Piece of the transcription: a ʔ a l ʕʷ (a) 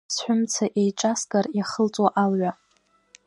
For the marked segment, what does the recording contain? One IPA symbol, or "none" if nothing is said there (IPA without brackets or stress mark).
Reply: a